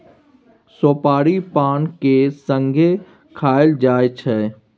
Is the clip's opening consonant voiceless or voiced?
voiceless